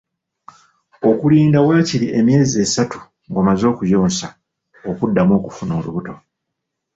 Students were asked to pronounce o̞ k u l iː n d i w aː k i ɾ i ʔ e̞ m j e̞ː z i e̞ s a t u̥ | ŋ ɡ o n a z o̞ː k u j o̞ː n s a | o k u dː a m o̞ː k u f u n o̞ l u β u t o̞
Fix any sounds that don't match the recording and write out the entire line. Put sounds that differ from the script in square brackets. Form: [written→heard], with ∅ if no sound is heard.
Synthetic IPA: o̞ k u l iː n d [i→a] w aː [k→c] i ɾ i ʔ e̞ m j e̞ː z i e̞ s a t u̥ | ŋ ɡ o [n→m] a z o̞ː k u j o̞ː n s a | o k u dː a m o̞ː k u f u n o̞ l u β u t o̞